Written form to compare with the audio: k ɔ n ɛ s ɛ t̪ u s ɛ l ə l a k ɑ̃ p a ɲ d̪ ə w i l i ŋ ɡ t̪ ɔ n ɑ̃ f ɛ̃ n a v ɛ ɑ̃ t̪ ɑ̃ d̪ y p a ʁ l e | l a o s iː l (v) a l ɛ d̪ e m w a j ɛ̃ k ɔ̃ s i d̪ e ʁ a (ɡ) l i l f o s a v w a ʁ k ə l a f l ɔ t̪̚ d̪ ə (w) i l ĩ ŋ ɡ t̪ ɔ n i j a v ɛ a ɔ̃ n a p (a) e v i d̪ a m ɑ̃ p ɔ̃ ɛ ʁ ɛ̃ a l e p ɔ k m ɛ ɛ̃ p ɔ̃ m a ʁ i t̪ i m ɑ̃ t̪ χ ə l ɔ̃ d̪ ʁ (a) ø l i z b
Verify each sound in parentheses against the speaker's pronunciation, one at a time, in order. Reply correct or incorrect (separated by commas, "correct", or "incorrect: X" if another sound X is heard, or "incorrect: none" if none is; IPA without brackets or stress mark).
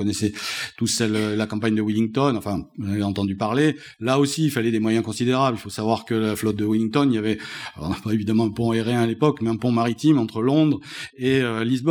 incorrect: f, incorrect: b, correct, correct, incorrect: e